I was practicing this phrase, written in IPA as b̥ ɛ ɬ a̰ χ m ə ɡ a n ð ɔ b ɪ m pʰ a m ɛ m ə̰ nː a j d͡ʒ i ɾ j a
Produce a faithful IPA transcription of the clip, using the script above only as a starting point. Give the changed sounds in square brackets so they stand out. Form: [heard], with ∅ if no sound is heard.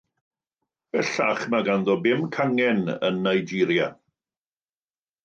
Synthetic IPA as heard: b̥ ɛ ɬ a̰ χ m [a] ɡ a n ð ɔ b ɪ m [kʰ] a [ŋ] ɛ [n] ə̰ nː a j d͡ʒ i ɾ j a